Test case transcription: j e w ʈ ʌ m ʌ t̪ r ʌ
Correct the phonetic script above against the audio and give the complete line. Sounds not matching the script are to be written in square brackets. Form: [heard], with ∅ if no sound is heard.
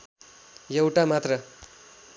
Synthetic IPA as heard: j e w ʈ [a] m [a] t̪ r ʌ